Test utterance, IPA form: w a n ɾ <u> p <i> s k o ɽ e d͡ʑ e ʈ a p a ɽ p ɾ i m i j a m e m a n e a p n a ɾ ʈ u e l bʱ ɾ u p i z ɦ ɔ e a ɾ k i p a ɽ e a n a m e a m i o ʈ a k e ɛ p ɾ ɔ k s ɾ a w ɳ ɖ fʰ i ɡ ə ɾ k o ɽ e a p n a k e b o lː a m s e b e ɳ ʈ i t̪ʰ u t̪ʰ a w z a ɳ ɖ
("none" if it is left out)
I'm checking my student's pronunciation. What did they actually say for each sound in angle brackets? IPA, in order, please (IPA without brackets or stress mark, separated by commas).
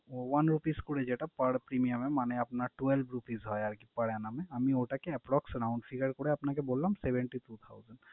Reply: u, i